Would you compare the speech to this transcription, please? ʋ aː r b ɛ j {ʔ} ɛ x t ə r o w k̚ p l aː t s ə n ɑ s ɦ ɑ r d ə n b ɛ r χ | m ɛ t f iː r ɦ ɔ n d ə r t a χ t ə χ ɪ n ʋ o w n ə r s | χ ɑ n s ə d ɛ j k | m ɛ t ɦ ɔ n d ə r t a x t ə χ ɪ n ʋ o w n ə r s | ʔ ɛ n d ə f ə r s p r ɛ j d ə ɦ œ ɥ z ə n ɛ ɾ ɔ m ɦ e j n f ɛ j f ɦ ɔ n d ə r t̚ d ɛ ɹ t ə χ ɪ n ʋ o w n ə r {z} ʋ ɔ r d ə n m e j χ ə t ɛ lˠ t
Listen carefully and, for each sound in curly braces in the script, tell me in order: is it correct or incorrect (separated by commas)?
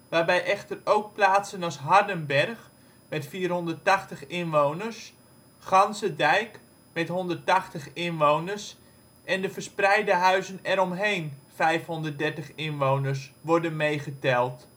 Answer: correct, incorrect